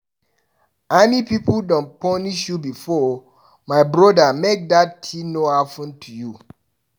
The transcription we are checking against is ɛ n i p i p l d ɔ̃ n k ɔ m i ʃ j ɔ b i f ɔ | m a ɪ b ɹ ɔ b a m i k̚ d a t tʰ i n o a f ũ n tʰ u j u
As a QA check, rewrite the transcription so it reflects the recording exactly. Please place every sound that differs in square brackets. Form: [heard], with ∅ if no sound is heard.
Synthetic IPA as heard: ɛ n i p i p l d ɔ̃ n [p] ɔ [n] i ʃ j [u] b i f ɔ | m a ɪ b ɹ ɔ [d] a m [e] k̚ d a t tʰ i n o a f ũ n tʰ u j u